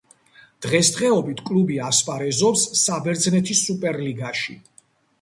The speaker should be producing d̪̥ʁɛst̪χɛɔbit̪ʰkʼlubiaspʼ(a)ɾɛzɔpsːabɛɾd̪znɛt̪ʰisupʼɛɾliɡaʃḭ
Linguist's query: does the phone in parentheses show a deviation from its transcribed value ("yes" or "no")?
no